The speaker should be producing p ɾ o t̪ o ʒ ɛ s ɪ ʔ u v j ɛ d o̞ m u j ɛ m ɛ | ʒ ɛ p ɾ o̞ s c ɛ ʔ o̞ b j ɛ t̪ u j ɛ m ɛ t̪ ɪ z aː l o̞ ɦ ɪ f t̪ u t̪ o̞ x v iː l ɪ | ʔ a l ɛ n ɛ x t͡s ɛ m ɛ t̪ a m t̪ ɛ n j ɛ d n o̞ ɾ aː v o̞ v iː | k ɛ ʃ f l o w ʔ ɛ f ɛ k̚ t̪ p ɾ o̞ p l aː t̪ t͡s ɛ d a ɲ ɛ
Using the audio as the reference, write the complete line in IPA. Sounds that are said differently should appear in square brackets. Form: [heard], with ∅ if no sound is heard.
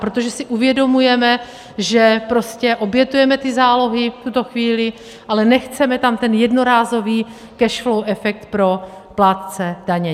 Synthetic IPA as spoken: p ɾ o t̪ o ʒ ɛ s ɪ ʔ u v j ɛ d o̞ m u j ɛ m ɛ | ʒ ɛ p ɾ o̞ s c ɛ ʔ o̞ b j ɛ t̪ u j ɛ m ɛ t̪ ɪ z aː l o̞ ɦ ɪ f t̪ u t̪ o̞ x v iː l ɪ | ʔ a l ɛ n ɛ x t͡s ɛ m ɛ t̪ a m t̪ ɛ n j ɛ d n o̞ ɾ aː [z] o̞ v iː | k ɛ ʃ f l o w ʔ ɛ f ɛ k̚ t̪ p ɾ o̞ p l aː t̪ t͡s ɛ d a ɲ ɛ